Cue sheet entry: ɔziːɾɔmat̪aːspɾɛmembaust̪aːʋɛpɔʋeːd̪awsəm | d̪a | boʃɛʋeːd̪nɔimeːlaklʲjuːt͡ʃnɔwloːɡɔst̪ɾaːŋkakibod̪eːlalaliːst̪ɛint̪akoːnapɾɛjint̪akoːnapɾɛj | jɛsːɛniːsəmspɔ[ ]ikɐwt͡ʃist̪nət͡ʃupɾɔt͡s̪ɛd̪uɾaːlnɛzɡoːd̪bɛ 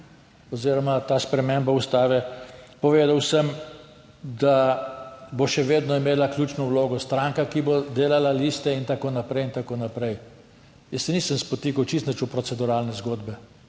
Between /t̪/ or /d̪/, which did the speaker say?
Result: t̪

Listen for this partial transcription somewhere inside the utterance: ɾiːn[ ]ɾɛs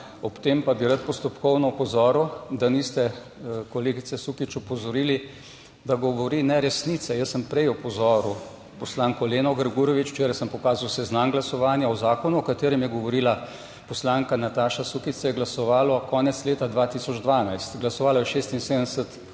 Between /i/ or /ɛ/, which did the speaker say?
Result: ɛ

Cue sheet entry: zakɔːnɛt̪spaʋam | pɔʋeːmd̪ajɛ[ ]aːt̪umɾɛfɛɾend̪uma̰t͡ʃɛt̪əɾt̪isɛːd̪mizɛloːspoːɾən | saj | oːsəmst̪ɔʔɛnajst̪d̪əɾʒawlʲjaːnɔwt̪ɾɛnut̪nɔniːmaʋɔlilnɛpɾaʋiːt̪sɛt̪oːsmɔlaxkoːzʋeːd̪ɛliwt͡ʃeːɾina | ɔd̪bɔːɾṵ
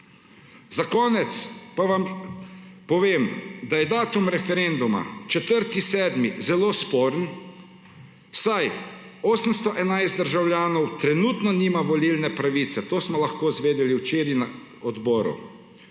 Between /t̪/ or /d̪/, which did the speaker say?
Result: d̪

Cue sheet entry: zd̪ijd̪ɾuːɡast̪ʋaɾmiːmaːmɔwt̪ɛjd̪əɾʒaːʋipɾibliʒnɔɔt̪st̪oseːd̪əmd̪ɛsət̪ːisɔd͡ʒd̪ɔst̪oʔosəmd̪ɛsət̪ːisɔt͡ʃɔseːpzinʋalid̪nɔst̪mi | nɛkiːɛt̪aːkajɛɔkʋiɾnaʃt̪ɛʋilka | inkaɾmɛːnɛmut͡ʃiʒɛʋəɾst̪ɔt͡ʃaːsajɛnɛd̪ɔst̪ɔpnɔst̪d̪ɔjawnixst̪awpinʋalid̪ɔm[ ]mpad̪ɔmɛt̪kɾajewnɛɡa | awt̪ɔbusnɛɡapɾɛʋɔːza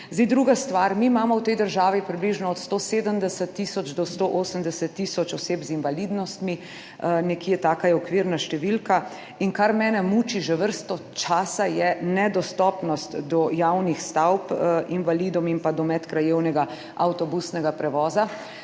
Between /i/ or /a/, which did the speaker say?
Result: i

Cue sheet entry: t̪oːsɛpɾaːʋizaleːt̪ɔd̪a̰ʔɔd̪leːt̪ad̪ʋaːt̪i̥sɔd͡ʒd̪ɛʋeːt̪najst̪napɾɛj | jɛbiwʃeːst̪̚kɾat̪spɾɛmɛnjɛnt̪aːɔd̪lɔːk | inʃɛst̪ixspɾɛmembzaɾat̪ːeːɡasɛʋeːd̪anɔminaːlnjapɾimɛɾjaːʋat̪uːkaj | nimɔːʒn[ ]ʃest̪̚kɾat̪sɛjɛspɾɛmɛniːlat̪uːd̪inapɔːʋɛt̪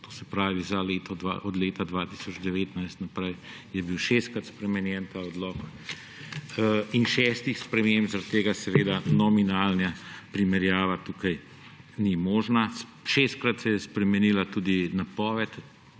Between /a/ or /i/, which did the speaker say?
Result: a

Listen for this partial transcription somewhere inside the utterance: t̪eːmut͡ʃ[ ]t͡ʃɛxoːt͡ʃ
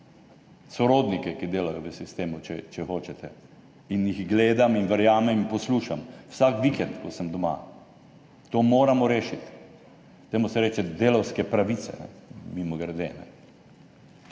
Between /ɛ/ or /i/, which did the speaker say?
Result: ɛ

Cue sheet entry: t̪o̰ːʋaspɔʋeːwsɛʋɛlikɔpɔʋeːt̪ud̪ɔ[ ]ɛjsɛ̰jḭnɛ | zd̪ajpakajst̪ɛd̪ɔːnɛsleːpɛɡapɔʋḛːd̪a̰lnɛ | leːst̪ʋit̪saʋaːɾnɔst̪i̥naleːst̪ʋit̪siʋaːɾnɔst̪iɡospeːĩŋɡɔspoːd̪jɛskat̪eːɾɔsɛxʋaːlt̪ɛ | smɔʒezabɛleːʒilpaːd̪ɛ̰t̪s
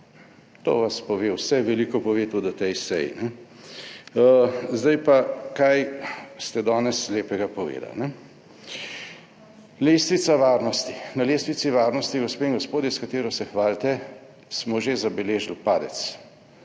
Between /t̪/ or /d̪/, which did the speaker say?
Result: t̪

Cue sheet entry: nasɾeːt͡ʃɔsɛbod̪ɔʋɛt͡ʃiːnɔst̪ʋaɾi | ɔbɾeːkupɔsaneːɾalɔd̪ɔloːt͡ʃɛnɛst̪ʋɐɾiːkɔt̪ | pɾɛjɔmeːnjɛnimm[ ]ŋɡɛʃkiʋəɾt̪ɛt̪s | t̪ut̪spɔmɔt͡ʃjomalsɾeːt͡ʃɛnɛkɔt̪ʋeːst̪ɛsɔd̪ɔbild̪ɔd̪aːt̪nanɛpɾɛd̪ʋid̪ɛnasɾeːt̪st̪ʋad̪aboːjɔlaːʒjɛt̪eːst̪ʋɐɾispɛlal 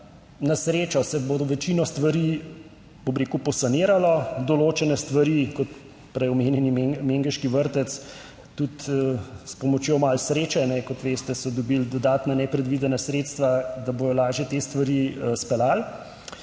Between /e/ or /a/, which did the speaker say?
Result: e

